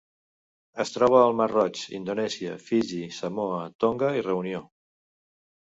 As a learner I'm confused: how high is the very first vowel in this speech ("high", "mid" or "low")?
mid